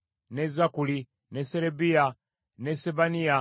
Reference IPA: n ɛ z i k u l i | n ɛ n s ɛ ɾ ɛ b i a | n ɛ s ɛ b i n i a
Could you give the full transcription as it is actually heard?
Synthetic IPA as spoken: n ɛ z a k u l i | n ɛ s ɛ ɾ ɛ b i a | n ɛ s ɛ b a n i a

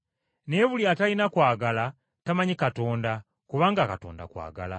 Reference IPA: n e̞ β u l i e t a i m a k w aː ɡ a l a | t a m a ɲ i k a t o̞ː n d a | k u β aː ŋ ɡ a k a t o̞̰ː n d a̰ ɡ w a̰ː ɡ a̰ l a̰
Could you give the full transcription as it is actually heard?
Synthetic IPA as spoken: n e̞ β u l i a t a i n a k w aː ɡ a l a | t a m a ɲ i k a t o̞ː n d a | k u β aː ŋ ɡ a k a t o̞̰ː n d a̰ k w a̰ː ɡ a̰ l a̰

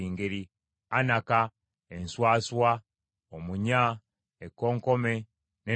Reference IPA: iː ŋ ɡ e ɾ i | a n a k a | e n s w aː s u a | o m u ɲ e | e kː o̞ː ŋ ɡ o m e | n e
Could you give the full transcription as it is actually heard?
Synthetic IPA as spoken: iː ŋ ɡ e ɾ i | a n a k a | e n s w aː s w a | o m u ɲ a | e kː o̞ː ŋ k o m e | n e

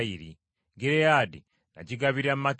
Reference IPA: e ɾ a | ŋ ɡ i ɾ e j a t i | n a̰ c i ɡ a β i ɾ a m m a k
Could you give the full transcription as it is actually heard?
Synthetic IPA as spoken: i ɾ i | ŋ ɡ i ɾ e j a d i | n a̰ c i ɡ a β i ɾ a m m a k

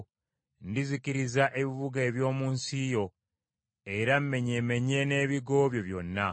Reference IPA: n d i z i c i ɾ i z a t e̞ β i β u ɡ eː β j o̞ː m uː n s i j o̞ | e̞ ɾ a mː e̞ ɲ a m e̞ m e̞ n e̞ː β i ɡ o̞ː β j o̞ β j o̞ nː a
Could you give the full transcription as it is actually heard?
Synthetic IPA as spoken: n d i z i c i ɾ i z a ʔ e̞ β i β u ɡ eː β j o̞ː m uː n s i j o̞ | e̞ ɾ a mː e̞ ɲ e m e̞ ɲ e̞ n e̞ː β i ɡ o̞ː β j o̞ β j o̞ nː a

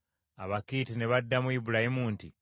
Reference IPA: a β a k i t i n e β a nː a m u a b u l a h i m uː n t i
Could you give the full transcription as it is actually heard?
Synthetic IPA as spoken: a β a k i t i n e β a dː a m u i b u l a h i m uː n t i

